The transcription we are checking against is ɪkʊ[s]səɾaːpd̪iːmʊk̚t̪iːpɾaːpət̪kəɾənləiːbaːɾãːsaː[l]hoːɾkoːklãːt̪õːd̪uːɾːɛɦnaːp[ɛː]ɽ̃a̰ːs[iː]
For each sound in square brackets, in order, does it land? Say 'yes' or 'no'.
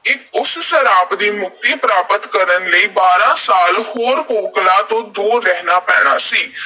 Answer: yes, yes, yes, yes

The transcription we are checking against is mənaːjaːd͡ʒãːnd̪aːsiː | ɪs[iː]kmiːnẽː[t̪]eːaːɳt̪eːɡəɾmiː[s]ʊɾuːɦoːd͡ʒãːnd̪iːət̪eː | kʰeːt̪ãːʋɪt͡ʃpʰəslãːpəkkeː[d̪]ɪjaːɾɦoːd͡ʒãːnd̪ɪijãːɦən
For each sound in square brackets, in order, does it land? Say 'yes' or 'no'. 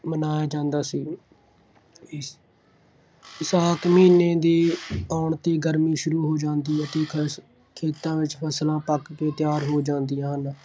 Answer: no, no, no, no

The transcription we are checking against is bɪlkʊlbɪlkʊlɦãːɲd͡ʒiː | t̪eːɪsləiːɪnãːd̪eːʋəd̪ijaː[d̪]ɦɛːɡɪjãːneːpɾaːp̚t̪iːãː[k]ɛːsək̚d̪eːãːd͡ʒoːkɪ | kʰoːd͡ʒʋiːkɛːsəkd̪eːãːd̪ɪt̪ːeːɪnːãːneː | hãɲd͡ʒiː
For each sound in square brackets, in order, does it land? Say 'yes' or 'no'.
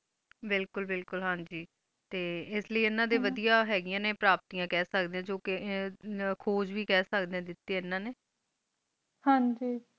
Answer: no, yes

